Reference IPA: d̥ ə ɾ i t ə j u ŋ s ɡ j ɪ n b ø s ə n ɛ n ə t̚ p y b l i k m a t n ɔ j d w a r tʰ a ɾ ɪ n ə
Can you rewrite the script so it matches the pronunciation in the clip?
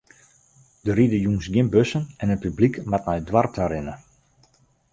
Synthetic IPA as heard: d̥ ə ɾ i d ə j u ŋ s ɡ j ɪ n b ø s ə n ɛ n ə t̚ p y b l i k m a t n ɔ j d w a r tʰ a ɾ ɪ n ə